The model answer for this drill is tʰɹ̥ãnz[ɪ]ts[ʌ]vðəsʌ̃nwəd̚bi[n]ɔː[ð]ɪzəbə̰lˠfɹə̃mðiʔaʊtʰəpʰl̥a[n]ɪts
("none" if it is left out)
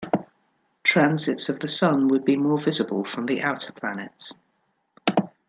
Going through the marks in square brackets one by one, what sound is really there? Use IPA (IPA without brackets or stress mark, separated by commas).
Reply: ɪ, ə, m, v, n